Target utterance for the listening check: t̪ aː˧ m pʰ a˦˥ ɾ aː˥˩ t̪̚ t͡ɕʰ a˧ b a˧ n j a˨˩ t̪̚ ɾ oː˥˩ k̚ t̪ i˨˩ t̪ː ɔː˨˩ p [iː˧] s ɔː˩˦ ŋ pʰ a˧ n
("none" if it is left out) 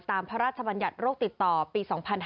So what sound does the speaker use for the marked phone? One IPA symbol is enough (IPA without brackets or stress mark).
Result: iː˧